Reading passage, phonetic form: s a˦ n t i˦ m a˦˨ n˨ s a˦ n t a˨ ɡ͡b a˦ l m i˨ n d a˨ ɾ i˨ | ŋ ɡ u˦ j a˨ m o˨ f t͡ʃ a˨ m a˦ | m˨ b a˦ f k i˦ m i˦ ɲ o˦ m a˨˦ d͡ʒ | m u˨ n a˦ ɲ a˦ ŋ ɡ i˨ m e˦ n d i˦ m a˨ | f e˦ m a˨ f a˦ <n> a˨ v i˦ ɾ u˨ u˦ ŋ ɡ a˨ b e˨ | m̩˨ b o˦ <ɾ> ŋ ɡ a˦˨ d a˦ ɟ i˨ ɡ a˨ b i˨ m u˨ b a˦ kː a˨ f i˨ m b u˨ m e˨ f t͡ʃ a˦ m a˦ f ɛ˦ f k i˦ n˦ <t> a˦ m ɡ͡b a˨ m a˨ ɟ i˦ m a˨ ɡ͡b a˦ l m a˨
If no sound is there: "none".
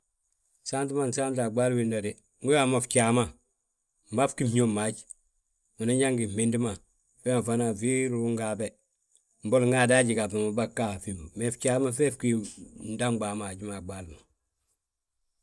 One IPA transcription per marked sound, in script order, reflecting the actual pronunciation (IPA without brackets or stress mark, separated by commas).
n, l, d